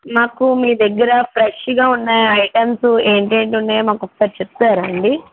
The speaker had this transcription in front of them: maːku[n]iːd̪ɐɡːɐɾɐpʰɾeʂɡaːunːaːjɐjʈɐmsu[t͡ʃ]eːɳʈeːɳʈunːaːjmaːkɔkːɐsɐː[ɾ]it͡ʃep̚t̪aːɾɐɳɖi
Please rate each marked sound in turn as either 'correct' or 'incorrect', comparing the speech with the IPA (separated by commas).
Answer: incorrect, incorrect, correct